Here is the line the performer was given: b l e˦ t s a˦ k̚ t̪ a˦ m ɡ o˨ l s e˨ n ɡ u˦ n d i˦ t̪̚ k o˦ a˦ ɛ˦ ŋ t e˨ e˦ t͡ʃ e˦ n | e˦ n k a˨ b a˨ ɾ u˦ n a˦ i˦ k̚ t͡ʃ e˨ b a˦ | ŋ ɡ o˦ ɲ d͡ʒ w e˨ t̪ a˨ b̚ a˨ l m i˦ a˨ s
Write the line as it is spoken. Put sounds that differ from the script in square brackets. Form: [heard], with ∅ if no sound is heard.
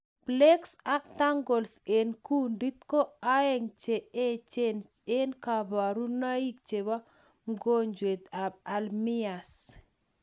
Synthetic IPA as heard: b l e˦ [k] s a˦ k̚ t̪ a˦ [ŋ] ɡ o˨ l s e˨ n [k] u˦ n d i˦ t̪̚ k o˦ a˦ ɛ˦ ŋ [t͡ʃ] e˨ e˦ t͡ʃ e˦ n | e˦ n k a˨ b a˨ ɾ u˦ n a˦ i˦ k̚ t͡ʃ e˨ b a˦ | ŋ ɡ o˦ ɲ d͡ʒ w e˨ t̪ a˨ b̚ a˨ l m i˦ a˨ s